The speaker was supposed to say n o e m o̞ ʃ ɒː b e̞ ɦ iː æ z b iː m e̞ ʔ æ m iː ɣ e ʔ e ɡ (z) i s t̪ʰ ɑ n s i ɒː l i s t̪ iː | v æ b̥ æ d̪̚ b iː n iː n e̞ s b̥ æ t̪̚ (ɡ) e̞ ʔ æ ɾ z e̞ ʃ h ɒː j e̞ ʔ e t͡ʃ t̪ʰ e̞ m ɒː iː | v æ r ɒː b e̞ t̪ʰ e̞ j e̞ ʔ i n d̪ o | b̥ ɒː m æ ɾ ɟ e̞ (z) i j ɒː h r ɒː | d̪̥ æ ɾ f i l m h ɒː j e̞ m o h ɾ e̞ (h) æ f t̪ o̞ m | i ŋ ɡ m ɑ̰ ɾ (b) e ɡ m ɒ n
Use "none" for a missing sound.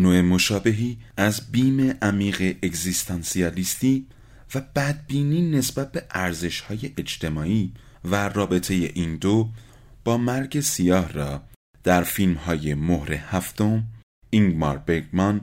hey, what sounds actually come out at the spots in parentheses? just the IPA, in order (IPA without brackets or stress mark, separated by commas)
z, b, s, h, b